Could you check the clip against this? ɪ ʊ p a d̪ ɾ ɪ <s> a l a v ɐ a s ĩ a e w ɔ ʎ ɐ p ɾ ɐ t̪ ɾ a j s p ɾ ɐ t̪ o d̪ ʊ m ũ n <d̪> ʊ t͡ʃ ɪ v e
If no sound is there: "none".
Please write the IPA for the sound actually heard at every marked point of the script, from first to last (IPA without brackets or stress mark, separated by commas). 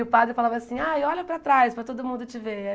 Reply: f, d̪